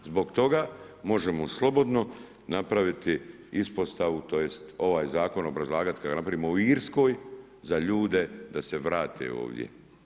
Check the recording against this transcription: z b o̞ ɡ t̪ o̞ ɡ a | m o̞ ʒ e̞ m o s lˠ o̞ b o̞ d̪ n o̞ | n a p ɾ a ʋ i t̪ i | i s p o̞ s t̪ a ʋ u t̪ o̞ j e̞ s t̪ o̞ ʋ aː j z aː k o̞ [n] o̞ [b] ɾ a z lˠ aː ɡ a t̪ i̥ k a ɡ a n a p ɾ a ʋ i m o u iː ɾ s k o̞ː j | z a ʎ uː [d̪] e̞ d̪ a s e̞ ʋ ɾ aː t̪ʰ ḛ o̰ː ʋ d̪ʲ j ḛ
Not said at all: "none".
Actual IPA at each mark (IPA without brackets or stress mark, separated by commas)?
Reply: n, b, d̪